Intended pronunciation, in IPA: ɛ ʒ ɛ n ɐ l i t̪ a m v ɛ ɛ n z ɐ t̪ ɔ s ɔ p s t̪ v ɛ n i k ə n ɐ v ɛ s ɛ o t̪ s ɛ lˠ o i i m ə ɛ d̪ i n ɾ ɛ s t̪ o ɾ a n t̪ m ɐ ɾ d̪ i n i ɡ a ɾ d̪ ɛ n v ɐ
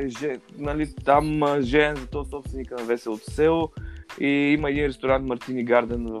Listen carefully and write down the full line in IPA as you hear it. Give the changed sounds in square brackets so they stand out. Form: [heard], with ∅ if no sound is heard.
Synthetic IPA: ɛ ʒ ɛ n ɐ l i t̪ a m [ʒ] ɛ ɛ n z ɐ t̪ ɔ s ɔ p s t̪ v ɛ n i k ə n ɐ v ɛ s ɛ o t̪ s ɛ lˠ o i i m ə ɛ d̪ i n ɾ ɛ s t̪ o ɾ a n t̪ m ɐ ɾ [t̪] i n i ɡ a ɾ d̪ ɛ n v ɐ